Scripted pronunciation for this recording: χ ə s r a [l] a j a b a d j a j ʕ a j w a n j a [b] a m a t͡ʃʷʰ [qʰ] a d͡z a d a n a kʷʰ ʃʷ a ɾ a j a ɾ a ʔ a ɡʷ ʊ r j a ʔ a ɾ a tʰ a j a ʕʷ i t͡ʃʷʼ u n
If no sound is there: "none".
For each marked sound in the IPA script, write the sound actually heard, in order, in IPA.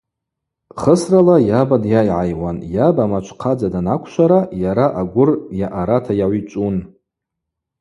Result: l, b, qʰ

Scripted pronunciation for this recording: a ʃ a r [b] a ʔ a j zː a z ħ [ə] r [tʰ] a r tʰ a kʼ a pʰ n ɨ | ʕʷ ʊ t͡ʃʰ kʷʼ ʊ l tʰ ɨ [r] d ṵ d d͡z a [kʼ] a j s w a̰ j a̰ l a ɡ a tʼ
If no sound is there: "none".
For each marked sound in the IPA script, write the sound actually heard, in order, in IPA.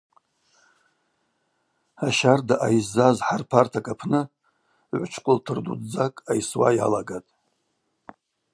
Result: d, a, pʰ, r, kʼ

